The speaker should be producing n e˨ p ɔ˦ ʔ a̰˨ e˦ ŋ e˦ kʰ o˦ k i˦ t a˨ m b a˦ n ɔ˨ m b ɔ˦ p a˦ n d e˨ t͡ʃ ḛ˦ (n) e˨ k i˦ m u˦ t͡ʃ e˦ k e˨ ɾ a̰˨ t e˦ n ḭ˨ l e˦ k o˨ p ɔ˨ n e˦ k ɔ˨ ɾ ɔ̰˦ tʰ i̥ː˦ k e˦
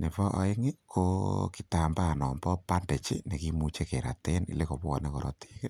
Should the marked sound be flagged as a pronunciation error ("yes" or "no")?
no